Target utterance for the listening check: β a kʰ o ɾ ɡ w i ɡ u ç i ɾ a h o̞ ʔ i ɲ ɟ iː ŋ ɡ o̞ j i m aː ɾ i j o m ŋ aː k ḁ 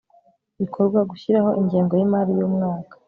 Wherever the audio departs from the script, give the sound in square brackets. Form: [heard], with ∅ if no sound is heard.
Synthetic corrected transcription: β [i] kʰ o ɾ ɡ w [a] ɡ u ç i ɾ a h o̞ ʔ i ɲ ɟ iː ŋ ɡ o̞ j i m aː ɾ i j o m ŋ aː k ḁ